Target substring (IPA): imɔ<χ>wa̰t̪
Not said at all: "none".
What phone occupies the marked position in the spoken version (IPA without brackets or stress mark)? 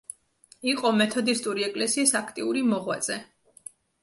ʁ